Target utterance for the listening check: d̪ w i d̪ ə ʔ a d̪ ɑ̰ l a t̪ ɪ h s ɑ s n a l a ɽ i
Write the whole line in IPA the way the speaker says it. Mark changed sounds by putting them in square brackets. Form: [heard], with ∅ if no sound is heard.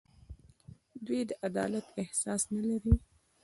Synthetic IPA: d̪ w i d̪ ə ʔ a d̪ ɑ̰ l a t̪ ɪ h s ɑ s n a l a [ɾ] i